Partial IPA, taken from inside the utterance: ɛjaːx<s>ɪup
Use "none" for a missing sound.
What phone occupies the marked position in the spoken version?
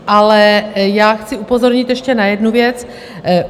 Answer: t͡s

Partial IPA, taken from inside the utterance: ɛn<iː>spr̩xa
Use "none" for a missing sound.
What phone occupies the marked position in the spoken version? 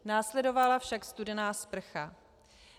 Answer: aː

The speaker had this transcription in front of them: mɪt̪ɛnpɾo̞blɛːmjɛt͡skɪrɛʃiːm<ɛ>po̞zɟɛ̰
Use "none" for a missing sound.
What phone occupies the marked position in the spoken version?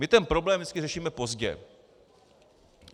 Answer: ɛ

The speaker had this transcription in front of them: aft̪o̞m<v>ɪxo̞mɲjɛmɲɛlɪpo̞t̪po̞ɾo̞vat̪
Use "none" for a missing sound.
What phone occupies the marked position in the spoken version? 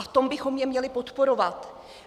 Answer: b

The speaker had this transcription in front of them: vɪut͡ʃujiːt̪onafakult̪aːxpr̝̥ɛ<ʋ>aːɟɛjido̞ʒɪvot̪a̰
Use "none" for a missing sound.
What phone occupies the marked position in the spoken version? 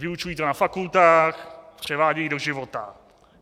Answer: v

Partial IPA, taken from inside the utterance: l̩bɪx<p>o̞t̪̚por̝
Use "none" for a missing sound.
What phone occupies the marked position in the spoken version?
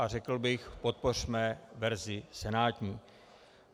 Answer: p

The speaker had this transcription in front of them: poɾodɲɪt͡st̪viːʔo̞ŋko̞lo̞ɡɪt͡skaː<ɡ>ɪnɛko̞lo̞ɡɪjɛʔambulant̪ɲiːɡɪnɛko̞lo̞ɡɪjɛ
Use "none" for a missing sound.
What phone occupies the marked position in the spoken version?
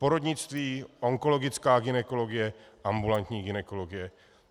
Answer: ɡ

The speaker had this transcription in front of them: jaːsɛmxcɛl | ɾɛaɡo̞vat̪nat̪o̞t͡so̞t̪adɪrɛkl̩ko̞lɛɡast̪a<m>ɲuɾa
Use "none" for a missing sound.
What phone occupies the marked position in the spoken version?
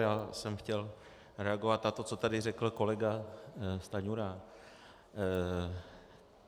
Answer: none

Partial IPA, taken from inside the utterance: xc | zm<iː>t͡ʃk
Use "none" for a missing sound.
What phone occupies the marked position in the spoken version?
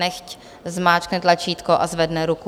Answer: aː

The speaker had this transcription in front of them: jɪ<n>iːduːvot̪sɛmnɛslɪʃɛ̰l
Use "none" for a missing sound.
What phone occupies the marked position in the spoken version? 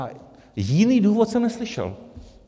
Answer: n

